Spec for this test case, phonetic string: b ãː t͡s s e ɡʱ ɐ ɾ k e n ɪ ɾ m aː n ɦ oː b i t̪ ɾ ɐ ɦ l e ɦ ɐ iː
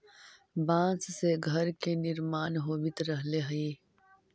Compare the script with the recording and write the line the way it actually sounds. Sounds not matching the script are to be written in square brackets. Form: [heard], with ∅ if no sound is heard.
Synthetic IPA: b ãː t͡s s e ɡʱ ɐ ɾ k e n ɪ ɾ m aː n ɦ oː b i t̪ ɾ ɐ ɦ l e ɦ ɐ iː